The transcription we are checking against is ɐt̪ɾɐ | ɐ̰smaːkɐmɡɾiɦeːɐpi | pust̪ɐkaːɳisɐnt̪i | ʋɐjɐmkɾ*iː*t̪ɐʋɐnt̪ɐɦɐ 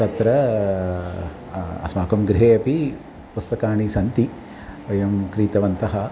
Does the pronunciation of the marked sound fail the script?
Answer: no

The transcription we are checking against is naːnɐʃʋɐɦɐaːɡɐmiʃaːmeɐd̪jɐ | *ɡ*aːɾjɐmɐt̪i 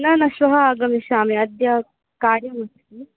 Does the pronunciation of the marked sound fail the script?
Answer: yes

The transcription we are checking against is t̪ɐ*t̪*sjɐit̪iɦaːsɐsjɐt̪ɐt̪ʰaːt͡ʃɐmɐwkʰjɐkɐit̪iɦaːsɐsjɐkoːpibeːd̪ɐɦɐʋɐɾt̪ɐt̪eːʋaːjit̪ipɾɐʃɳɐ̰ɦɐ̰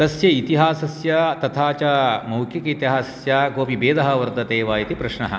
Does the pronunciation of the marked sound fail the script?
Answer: yes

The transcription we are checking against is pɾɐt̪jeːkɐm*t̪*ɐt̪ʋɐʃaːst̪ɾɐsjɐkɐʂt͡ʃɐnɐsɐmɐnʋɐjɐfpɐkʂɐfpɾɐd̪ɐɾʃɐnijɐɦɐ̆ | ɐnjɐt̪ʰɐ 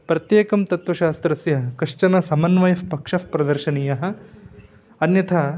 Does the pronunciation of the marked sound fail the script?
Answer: no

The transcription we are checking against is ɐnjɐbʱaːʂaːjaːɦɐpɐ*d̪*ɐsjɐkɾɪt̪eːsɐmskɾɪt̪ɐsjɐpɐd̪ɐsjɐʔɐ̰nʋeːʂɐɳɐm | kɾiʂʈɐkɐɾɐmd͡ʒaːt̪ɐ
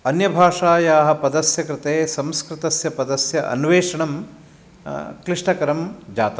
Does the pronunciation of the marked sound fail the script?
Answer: no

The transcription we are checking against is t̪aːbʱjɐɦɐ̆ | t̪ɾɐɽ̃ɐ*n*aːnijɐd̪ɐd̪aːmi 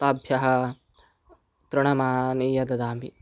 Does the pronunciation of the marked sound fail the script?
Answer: yes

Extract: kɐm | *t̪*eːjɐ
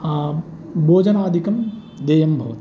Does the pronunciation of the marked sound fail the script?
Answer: yes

